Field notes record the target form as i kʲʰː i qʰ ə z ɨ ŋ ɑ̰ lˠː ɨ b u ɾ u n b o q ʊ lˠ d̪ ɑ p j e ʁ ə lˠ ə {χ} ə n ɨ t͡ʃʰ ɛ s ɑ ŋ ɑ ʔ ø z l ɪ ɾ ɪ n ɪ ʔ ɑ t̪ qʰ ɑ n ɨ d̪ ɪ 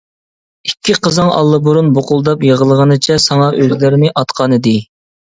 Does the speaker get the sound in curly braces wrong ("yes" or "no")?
yes